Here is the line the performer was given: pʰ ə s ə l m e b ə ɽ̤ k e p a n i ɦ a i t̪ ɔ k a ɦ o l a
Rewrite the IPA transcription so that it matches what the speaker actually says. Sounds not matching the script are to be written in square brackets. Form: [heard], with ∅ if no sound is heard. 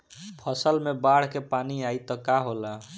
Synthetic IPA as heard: pʰ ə s ə l m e b [a] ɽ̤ k e p a n i [∅] a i t̪ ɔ k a ɦ o l a